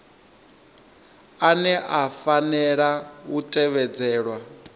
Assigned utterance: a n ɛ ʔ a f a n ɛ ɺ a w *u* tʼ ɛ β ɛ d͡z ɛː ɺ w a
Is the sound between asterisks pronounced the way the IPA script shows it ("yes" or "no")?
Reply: yes